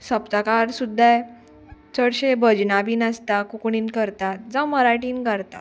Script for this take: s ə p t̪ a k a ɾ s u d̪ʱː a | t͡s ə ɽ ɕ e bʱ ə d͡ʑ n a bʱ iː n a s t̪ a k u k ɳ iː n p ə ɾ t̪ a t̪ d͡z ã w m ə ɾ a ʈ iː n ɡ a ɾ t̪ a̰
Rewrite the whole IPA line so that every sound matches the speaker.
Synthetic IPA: s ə p t̪ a k a ɾ s u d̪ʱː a | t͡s ə ɽ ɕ e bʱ ə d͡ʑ n a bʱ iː n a s t̪ a k u k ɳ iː n k ə ɾ t̪ a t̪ d͡z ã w m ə ɾ a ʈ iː n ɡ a ɾ t̪ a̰